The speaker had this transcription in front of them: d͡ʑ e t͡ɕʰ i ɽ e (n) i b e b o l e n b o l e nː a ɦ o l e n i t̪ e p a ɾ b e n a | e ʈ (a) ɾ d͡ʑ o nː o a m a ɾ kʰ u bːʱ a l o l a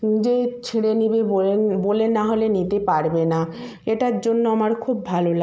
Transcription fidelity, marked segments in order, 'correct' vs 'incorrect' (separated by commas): correct, correct